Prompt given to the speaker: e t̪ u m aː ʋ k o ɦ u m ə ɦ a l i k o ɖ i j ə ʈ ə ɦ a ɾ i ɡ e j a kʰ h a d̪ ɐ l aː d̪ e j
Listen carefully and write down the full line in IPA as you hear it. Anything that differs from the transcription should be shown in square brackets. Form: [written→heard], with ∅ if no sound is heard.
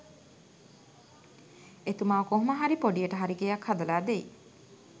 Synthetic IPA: e t̪ u m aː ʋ k o ɦ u m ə ɦ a [l→ɾ] i [k→p] o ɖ i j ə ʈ ə ɦ a ɾ i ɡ e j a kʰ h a d̪ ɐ l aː d̪ e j